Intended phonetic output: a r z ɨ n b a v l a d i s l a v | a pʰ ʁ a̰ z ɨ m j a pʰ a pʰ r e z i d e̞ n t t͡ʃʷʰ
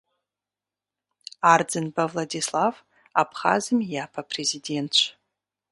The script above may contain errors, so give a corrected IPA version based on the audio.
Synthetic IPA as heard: a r d͡z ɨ n b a v l a d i s l a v | a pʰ χ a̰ z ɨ m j a pʰ a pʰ r e z i d e̞ n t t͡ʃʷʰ